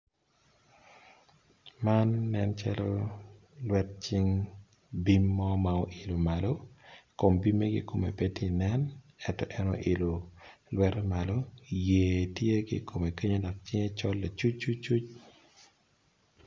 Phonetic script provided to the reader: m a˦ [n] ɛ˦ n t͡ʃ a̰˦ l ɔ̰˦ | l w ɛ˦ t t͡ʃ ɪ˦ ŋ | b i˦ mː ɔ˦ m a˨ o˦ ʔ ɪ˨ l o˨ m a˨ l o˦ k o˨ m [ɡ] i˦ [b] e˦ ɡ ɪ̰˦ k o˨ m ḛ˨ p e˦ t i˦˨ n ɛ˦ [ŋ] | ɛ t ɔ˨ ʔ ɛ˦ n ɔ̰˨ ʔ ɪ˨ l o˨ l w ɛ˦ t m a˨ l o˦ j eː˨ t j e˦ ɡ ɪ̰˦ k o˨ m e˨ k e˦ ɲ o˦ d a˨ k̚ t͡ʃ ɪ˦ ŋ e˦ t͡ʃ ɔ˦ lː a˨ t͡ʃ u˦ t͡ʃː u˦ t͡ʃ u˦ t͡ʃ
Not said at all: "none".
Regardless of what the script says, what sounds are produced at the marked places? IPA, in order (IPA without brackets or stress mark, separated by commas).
nː, b, m, n